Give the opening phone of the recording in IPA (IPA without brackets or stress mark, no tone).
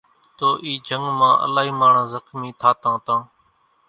t̪